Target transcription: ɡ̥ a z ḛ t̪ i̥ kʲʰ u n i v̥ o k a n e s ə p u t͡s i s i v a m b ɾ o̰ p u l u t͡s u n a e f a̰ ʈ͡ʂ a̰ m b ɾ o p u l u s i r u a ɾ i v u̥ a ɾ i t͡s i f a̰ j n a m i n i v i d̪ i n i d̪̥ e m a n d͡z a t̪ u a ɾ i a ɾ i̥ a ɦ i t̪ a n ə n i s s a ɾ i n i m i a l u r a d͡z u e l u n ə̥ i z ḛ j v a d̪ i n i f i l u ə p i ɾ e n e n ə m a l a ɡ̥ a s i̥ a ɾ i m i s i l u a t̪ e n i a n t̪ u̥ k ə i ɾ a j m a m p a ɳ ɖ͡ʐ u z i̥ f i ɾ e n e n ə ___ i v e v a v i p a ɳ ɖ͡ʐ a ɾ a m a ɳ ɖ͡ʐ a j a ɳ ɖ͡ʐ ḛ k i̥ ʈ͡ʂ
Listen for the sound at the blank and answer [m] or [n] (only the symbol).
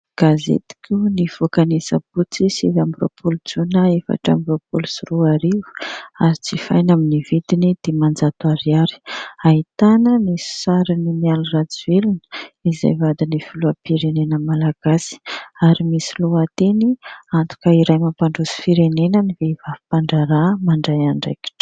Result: n